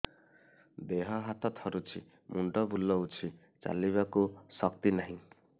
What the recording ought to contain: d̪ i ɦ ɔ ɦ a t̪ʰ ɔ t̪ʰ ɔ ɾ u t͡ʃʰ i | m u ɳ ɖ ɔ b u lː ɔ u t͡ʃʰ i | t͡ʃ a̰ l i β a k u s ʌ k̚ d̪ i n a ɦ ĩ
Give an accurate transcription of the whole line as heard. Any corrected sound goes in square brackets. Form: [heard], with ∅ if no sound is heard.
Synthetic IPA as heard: d̪ [e] ɦ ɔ ɦ a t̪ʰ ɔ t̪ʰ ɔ ɾ u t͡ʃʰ i | m u ɳ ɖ ɔ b u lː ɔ u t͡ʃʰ i | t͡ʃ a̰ l i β a k u s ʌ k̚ [t̪] i n a ɦ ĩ

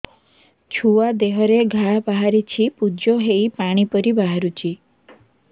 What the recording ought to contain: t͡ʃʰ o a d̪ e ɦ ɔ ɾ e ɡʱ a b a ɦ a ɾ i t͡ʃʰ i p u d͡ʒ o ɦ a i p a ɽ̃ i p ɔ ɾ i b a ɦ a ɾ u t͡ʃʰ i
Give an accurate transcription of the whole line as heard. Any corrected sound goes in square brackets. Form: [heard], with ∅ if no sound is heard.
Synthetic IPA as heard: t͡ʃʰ [u] a d̪ e ɦ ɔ ɾ e ɡʱ a b a ɦ a ɾ i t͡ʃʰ i p u d͡ʒ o ɦ [e] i p a ɽ̃ i p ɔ ɾ i b a ɦ a ɾ u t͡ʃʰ i

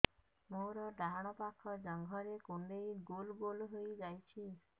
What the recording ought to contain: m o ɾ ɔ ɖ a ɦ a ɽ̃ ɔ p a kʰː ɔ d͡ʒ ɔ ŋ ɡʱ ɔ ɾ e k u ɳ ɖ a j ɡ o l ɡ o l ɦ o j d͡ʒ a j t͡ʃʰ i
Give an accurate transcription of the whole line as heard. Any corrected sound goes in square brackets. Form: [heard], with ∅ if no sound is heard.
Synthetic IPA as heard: m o ɾ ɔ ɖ a ɦ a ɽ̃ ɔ p a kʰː ɔ d͡ʒ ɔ ŋ ɡʱ ɔ ɾ e k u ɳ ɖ [e] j ɡ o l ɡ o l ɦ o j d͡ʒ a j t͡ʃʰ i

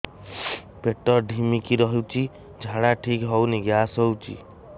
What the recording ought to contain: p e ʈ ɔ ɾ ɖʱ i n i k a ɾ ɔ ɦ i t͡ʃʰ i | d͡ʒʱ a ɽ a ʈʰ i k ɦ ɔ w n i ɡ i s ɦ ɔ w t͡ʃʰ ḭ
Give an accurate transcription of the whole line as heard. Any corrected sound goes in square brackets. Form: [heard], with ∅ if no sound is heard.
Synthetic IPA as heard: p e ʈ ɔ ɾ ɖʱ i [m] i k [i] ɾ ɔ ɦ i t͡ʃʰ i | d͡ʒʱ a ɽ a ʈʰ i k ɦ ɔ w n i ɡ [a] s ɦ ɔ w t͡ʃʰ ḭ

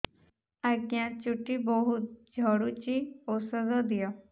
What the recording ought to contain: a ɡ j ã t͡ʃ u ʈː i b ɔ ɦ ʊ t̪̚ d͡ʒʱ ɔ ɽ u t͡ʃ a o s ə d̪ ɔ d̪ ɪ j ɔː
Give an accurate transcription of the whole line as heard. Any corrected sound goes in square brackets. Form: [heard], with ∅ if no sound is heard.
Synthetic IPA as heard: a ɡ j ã t͡ʃ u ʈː i b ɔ ɦ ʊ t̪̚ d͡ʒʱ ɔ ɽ u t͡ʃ [i] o s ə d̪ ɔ d̪ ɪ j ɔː

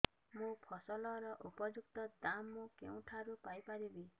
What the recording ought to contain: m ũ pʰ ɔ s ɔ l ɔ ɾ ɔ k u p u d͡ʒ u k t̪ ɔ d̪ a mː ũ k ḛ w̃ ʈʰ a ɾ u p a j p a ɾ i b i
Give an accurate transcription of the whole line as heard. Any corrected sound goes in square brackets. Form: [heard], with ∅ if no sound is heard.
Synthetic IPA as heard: m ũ pʰ ɔ s ɔ l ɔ ɾ ɔ [ʔ] u p [ɔ] d͡ʒ u k t̪ ɔ d̪ a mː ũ k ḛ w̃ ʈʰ a ɾ u p a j p a ɾ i b i

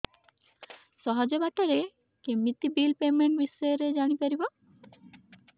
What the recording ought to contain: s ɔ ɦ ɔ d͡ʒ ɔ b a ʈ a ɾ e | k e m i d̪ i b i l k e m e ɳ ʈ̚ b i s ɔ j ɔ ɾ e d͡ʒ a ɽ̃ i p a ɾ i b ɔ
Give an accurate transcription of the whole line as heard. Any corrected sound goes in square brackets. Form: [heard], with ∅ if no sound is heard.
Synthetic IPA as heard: s ɔ ɦ ɔ d͡ʒ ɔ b a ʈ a ɾ e | k e m i [t̪] i b i l [p] e m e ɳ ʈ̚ b i s ɔ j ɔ ɾ e d͡ʒ a ɽ̃ i p a ɾ i b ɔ

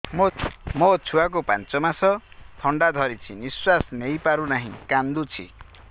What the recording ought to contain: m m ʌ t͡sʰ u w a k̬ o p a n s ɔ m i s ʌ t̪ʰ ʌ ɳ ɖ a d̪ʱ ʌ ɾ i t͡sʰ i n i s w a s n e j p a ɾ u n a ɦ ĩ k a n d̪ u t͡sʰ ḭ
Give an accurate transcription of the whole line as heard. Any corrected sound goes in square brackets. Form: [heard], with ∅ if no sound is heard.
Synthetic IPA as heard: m m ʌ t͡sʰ u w a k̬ o p a n [t͡s] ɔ m [a] s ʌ t̪ʰ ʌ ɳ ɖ a d̪ʱ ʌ ɾ i t͡sʰ i n i s w a s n e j p a ɾ u n a ɦ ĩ k a n d̪ u t͡sʰ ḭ

